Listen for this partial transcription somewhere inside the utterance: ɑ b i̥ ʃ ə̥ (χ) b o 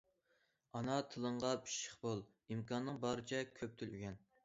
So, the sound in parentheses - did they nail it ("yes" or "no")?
yes